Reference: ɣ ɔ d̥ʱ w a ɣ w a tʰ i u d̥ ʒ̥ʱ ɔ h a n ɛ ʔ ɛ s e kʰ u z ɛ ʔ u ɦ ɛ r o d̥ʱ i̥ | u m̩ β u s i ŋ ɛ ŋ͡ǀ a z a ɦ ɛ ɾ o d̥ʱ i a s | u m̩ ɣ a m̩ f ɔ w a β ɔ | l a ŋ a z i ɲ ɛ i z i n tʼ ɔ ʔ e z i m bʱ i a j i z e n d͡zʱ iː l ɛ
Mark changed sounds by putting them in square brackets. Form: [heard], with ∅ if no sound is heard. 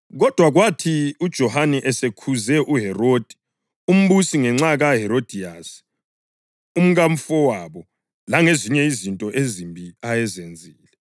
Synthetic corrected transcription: ɣ ɔ d̥ʱ w a ɣ w a tʰ i u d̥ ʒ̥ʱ ɔ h a n ɛ ʔ ɛ s e kʰ u z ɛ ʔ u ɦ ɛ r o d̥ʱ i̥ | u m̩ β u s i ŋ ɛ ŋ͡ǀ a [ɣ] a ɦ ɛ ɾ o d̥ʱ i a s | u m̩ ɣ a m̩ f ɔ w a β ɔ | l a ŋ [e] z i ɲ ɛ i z i n tʼ ɔ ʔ e z i m bʱ i a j [ɛ] z e n d͡zʱ iː l ɛ